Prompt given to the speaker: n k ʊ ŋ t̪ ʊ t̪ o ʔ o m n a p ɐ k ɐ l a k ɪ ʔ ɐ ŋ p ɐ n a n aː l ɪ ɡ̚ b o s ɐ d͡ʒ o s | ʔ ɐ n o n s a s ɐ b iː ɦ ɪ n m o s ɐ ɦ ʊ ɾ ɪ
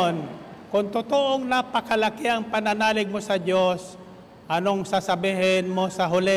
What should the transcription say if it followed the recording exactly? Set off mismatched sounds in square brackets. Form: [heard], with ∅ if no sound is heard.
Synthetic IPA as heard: n k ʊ ŋ t̪ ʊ t̪ o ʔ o [ŋ] n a p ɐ k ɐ l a k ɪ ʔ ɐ ŋ p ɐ n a n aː l ɪ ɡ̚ [m] o s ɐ d͡ʒ o s | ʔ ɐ n o [ŋ] s a s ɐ b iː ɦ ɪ n m o s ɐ ɦ ʊ [l] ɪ